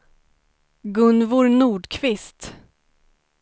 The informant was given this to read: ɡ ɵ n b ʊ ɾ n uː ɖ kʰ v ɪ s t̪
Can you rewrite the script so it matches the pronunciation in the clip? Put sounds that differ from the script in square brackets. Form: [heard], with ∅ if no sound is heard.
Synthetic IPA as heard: ɡ ɵ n [v] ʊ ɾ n uː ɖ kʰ v ɪ s t̪